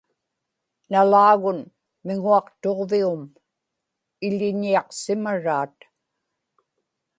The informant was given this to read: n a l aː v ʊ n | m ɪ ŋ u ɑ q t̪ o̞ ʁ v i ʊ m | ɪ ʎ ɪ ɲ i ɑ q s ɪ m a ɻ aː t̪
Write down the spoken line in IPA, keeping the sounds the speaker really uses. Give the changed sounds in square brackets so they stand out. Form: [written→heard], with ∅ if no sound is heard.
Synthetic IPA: n a l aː [v→ɣ] ʊ n | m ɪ ŋ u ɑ q t̪ o̞ ʁ v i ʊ m | ɪ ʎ ɪ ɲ i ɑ q s ɪ m a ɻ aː t̪